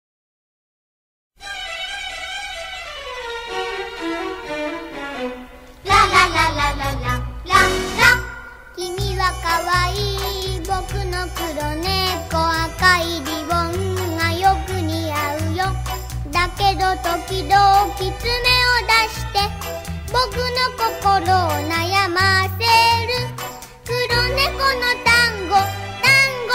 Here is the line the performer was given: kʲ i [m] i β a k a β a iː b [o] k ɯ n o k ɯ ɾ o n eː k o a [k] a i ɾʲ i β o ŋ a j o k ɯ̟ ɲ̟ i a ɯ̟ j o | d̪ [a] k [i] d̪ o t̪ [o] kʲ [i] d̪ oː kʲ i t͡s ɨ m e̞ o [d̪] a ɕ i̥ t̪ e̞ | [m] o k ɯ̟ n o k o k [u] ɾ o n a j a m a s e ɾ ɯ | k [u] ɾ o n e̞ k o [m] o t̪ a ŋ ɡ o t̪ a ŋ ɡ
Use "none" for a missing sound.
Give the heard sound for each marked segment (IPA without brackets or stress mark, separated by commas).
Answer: m, o, k, a, e, o, i, d̪, b, o, ɯ, n